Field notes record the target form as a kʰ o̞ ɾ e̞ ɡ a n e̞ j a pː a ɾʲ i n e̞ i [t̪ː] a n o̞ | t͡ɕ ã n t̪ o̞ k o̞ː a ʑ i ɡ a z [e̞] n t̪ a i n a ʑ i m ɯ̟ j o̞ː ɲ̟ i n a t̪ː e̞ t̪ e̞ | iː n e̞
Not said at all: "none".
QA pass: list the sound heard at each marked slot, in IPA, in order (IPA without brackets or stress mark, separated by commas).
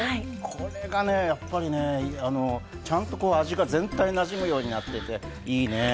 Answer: none, ẽ̞